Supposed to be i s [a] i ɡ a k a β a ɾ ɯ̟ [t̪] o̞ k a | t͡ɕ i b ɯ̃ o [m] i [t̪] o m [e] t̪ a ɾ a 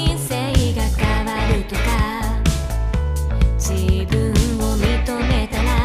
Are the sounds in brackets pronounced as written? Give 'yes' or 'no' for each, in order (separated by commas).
no, yes, yes, yes, yes